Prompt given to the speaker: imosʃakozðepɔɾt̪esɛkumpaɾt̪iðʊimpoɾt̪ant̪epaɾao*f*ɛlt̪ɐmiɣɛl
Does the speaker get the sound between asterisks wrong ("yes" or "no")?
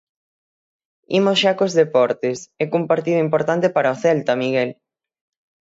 yes